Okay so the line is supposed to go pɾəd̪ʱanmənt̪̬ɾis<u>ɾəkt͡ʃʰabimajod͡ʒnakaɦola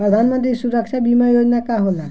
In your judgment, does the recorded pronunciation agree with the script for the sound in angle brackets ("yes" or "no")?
yes